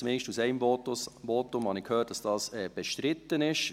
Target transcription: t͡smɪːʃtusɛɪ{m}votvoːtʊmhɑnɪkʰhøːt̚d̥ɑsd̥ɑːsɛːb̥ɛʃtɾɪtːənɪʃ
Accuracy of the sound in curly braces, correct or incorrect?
correct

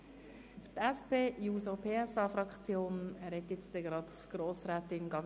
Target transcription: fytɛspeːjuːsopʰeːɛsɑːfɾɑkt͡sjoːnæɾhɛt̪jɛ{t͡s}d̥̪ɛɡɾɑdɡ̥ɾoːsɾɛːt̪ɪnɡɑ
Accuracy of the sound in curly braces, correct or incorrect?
correct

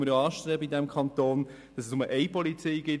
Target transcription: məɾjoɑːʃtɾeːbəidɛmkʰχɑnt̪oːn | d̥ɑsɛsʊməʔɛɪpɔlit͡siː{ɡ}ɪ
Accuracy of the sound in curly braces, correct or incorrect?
correct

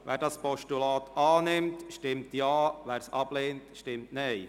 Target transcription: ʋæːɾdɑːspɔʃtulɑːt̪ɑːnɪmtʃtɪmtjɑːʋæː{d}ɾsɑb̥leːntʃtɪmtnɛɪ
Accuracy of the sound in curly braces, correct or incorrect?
incorrect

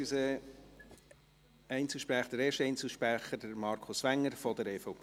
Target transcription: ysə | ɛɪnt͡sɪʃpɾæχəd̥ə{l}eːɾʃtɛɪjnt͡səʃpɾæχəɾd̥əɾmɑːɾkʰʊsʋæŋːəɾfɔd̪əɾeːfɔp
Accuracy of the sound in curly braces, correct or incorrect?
incorrect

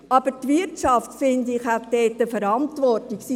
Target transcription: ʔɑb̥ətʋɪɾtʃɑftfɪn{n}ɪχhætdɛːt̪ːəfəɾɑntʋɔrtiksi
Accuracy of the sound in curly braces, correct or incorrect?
incorrect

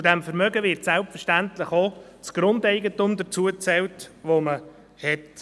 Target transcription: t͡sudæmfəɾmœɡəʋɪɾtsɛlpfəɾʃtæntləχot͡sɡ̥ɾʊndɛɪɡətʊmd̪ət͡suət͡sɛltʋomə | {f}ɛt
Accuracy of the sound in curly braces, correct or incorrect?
incorrect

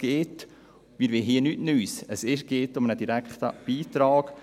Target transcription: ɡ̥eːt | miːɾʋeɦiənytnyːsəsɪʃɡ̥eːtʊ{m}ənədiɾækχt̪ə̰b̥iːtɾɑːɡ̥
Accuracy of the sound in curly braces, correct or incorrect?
correct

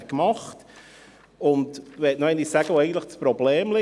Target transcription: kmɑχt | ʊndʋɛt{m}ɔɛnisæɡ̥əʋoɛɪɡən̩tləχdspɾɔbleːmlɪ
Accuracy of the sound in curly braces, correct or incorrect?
incorrect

